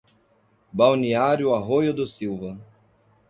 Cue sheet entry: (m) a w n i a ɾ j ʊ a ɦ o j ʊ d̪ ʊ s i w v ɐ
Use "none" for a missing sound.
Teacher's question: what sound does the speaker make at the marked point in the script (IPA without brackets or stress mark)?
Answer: b